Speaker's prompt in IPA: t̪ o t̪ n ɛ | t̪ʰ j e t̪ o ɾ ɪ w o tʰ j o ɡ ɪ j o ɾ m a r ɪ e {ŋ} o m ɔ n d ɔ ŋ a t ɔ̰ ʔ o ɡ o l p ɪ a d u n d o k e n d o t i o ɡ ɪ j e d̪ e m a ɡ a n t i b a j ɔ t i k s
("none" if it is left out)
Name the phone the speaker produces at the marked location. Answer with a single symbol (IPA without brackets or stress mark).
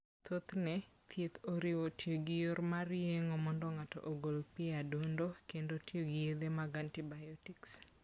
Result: ŋ